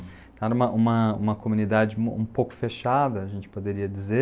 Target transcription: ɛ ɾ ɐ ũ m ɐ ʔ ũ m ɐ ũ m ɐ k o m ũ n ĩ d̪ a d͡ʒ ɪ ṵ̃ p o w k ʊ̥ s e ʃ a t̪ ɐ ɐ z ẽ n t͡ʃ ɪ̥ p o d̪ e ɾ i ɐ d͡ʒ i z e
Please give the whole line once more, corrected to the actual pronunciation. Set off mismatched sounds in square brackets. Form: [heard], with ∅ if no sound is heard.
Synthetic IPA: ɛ ɾ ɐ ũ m ɐ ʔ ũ m ɐ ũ m ɐ k o m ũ n [i] d̪ a d͡ʒ ɪ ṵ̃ p o w k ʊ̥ [f] e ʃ a [d̪] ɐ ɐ [ʒ] ẽ n t͡ʃ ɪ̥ p o d̪ e ɾ i ɐ d͡ʒ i z e